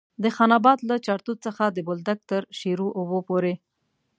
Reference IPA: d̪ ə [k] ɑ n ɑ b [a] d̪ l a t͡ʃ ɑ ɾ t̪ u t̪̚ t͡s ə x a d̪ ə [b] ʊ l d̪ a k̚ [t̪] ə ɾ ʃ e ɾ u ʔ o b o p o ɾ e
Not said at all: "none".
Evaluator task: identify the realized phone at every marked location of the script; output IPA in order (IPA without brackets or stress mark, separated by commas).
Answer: x, ɑ, b, t̪